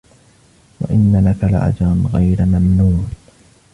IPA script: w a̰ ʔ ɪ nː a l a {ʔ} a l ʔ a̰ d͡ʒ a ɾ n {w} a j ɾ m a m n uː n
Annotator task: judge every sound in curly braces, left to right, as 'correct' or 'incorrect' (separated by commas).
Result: incorrect, incorrect